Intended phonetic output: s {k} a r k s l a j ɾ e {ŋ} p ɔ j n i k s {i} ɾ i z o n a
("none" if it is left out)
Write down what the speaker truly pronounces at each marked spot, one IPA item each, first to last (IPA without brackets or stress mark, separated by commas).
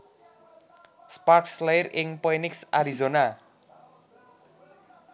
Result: p, ŋ, a